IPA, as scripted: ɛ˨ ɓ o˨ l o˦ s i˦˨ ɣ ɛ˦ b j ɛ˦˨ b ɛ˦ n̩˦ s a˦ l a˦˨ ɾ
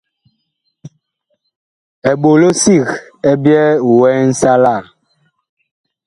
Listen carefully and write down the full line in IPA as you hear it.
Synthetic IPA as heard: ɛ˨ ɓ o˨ l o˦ s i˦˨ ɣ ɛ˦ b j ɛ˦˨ w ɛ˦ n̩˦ s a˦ l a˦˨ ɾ